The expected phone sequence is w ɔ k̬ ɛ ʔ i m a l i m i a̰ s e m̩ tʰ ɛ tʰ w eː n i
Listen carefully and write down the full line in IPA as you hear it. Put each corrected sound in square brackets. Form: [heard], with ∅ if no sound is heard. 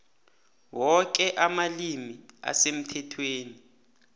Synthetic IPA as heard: w ɔ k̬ ɛ ʔ [a] m a l i m i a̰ s e m̩ tʰ ɛ tʰ w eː n i